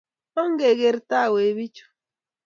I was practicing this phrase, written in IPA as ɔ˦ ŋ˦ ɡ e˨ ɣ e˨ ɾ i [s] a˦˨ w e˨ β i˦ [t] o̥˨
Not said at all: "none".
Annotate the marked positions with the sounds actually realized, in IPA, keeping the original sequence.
t, t͡ʃ

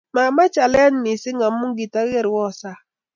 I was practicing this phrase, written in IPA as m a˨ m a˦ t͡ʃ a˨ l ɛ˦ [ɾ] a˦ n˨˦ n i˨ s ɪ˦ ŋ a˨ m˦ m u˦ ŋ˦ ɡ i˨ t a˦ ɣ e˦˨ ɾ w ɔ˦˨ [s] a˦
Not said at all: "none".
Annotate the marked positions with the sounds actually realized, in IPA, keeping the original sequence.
none, s

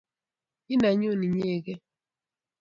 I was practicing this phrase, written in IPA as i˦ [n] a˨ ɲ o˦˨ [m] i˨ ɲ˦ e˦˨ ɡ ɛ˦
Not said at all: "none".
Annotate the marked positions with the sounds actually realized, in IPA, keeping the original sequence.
n, n

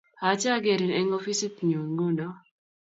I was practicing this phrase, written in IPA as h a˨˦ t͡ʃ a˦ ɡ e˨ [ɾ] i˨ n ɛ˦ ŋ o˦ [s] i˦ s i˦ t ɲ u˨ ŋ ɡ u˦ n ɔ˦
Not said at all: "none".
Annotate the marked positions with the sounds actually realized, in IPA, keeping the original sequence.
ɾ, f

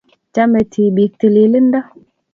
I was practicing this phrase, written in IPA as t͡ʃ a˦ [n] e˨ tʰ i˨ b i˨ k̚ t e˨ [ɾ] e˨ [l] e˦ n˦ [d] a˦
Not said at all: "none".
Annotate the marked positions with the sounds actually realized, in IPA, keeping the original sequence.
m, l, l, d

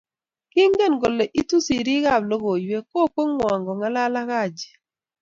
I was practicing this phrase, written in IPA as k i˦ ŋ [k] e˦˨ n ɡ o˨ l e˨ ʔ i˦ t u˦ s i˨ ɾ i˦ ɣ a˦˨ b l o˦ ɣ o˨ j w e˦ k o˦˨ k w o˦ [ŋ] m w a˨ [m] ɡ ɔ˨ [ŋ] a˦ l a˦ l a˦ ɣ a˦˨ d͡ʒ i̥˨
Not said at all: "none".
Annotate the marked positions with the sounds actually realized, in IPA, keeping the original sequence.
ɡ, ŋ, ŋ, ŋ

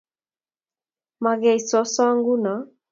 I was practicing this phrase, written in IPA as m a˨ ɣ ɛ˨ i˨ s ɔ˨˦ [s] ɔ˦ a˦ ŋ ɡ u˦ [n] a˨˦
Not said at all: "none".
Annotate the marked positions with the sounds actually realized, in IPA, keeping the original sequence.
s, n

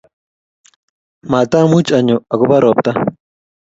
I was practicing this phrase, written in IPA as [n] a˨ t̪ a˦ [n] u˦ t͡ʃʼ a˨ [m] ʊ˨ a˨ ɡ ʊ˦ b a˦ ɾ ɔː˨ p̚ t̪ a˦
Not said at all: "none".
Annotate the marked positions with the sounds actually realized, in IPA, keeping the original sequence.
m, m, ɲ

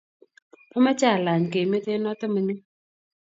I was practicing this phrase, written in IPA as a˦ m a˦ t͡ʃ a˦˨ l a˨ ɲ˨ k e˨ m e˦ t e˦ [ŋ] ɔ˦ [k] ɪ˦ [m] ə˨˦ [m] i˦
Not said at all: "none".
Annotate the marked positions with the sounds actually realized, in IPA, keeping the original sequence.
n, t, m, n

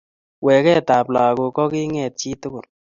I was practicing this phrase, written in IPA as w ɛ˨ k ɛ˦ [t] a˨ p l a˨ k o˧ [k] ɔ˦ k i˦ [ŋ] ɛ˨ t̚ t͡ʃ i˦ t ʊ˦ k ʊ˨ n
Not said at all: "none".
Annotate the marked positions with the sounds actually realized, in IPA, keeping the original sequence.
t, k, ŋ

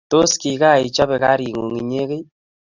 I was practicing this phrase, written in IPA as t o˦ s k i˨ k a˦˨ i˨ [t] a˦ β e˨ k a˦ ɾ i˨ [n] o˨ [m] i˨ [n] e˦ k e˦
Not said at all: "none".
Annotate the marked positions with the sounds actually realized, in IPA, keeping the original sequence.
t͡ʃ, ŋ, ŋ, ɲ

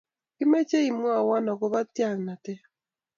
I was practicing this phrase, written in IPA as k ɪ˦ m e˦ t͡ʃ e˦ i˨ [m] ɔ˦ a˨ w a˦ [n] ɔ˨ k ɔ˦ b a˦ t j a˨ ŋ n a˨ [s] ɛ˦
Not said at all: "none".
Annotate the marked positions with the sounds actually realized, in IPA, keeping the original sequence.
m, n, t

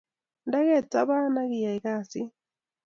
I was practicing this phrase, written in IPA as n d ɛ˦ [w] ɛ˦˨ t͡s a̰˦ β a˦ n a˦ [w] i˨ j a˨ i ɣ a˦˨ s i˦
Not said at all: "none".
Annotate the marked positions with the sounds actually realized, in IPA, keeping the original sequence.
ɣ, ɣ

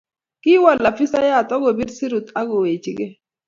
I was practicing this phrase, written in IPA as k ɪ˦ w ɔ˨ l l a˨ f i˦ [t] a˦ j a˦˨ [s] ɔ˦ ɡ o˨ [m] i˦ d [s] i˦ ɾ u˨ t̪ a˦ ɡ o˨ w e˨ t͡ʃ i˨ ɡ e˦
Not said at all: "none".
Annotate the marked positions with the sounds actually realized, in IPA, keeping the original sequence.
s, t, b, s

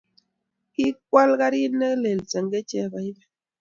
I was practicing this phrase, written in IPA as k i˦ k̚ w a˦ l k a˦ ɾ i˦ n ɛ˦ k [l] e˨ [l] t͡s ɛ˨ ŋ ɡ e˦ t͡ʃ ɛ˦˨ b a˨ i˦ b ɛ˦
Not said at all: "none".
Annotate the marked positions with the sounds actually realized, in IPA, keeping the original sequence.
l, l

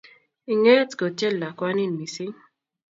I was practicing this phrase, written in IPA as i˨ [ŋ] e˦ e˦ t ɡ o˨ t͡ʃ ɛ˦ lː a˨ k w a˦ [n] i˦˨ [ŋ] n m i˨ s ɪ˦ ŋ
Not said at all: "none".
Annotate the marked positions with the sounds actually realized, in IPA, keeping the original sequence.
ŋ, n, none

